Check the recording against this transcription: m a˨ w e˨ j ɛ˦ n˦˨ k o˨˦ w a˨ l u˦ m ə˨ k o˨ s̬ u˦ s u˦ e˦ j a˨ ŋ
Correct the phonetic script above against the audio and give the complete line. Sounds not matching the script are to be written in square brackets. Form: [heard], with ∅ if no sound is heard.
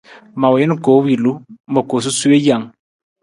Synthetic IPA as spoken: m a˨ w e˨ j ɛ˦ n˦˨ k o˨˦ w [i˨] l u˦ m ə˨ k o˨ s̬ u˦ s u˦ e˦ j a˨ ŋ